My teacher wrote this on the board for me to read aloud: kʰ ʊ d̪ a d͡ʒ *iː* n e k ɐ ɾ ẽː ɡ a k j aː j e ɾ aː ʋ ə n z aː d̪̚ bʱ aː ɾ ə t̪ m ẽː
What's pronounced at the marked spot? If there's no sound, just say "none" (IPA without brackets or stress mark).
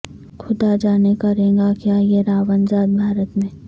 aː